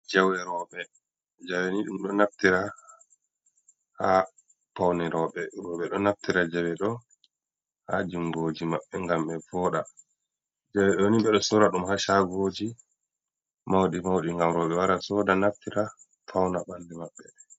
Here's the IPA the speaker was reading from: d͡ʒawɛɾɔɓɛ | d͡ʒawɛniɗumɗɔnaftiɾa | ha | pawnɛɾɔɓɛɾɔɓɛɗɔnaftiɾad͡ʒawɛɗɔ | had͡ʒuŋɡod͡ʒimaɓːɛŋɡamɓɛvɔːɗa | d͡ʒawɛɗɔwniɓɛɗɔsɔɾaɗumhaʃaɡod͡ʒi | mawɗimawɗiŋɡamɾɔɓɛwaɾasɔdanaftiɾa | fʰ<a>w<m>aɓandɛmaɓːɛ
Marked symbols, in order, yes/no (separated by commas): yes, no